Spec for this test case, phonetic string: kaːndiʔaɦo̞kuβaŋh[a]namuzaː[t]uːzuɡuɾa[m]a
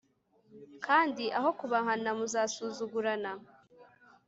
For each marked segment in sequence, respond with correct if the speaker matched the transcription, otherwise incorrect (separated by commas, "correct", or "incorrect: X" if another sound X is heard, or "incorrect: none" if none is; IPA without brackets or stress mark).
correct, incorrect: s, incorrect: n